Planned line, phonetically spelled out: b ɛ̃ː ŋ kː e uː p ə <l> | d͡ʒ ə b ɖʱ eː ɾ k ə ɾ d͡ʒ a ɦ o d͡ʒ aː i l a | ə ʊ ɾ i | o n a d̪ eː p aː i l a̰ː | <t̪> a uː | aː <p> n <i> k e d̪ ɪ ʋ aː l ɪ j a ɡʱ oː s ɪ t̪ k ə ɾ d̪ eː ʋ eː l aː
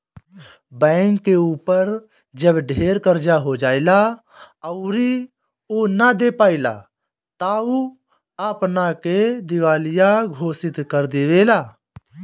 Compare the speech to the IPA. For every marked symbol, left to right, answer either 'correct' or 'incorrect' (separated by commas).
incorrect, correct, correct, incorrect